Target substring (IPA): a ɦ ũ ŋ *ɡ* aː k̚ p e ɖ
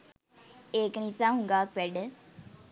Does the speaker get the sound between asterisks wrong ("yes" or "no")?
no